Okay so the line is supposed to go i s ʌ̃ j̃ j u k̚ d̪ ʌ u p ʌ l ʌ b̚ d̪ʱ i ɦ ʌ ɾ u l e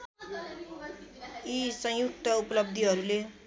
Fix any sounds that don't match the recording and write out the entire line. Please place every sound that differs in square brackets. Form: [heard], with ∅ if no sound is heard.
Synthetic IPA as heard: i s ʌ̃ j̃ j u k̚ [t̪] ʌ u p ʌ l ʌ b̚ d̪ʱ i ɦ ʌ ɾ u l e